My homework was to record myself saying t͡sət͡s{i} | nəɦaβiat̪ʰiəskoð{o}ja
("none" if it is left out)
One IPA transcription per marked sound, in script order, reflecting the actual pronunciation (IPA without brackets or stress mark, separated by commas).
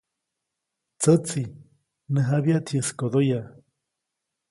i, o